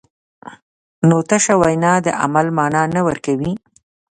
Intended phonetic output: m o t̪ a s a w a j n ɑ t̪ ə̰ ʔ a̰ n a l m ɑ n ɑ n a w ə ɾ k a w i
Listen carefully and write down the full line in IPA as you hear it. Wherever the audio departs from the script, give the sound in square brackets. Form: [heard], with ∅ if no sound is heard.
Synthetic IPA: [n] o t̪ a [ʃ] a w a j n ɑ [d̪] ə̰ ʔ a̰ [m] a l m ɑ n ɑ n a w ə ɾ k a w i